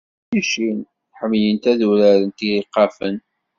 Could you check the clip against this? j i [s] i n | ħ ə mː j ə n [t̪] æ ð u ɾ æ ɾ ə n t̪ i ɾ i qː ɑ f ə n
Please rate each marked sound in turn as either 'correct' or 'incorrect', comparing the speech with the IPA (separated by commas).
incorrect, correct